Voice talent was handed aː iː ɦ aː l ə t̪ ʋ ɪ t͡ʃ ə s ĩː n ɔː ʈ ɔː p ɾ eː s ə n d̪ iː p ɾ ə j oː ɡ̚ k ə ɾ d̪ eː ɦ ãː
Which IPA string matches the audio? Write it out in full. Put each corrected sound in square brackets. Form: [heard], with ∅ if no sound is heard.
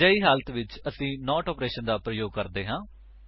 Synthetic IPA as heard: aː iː ɦ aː l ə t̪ ʋ ɪ t͡ʃ ə s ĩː n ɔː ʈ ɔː p ɾ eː [ʃ] ə n d̪ [aː] p ɾ ə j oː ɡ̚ k ə ɾ d̪ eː ɦ ãː